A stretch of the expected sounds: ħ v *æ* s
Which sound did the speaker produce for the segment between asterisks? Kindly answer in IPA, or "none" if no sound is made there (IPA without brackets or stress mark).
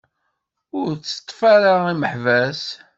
æ